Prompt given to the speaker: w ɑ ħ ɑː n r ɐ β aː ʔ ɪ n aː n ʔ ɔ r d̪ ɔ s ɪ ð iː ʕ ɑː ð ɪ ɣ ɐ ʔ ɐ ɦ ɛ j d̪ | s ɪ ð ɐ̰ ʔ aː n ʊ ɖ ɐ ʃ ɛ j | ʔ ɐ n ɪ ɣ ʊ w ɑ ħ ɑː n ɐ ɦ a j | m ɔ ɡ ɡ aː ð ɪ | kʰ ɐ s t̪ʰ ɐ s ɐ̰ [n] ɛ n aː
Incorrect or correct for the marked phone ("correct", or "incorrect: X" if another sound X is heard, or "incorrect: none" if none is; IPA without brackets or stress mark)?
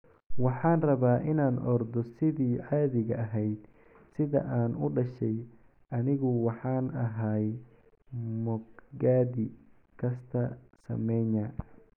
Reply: incorrect: m